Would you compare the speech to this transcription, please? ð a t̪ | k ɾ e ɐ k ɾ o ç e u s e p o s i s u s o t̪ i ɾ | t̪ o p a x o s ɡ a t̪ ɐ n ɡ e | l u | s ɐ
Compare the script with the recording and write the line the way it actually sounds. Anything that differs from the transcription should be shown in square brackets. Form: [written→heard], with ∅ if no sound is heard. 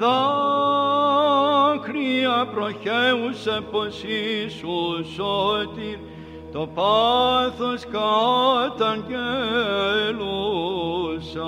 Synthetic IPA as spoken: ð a [t̪→∅] | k ɾ [e→i] ɐ [k→p] ɾ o ç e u s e p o s i s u s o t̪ i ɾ | t̪ o p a [x→θ] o s [ɡ→k] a t̪ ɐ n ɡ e | l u | s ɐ